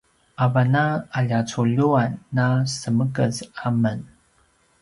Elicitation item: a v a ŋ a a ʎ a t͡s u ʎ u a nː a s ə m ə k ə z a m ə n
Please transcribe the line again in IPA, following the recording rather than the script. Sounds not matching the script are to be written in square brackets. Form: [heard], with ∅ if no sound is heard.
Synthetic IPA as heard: a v a [n] a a ʎ a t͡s u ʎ u a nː a s ə m ə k ə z a m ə n